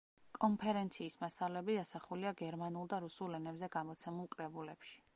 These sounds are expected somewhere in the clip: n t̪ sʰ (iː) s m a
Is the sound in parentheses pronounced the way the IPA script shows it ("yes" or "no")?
yes